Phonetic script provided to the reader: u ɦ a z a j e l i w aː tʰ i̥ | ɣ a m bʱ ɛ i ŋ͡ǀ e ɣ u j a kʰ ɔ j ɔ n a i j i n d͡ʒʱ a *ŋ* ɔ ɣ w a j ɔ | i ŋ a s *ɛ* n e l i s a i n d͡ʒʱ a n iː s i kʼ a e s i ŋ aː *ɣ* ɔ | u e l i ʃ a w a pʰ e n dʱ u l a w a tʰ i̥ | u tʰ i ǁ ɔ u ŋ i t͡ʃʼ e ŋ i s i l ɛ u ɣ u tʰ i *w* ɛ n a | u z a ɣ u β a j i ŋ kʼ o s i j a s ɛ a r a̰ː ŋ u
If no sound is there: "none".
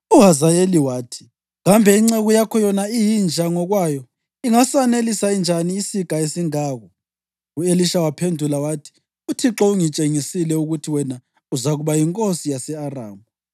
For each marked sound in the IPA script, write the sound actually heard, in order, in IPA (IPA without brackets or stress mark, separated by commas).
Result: ŋ, a, ɣ, w